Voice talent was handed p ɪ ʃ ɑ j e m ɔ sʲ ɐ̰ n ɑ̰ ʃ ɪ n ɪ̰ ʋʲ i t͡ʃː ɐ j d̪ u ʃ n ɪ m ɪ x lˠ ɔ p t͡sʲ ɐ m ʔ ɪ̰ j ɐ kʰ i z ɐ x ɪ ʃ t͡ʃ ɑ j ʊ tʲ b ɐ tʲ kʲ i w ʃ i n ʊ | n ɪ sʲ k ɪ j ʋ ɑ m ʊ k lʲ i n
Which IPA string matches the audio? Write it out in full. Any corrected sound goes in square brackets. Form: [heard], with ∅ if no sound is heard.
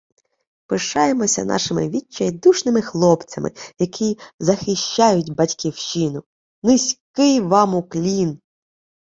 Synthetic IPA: p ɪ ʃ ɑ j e m ɔ sʲ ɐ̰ n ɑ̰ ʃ ɪ [m] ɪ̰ ʋʲ i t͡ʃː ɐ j d̪ u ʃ n ɪ m ɪ x lˠ ɔ p t͡sʲ ɐ m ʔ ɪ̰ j ɐ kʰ i z ɐ x ɪ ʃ t͡ʃ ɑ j ʊ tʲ b ɐ tʲ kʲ i w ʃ i n ʊ | n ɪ sʲ k ɪ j ʋ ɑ m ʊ k lʲ i n